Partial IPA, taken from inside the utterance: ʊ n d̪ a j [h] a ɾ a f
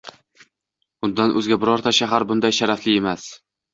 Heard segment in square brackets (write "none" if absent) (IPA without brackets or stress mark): ʃ